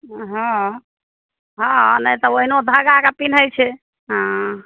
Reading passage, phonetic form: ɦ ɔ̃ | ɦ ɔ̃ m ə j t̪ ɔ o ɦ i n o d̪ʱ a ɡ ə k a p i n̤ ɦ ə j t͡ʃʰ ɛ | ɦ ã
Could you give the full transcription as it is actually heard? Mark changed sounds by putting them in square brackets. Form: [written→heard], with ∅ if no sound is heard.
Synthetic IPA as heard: ɦ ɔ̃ | ɦ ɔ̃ [m→n] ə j t̪ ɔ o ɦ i n o d̪ʱ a ɡ [ə→a] k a p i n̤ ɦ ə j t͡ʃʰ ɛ | ɦ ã